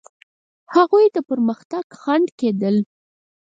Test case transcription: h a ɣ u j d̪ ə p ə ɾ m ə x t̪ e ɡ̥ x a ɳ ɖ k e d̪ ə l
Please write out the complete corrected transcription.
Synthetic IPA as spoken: h a ɣ u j d̪ ə p ə ɾ m ə x t̪ a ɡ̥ x a ɳ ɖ k e d̪ ə l